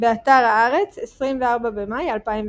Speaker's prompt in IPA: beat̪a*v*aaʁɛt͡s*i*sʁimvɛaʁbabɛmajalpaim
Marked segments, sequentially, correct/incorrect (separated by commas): incorrect, incorrect